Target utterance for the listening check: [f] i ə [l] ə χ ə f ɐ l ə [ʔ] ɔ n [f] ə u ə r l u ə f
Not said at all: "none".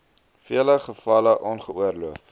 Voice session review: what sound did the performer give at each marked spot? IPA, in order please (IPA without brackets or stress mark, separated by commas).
f, l, ʔ, χ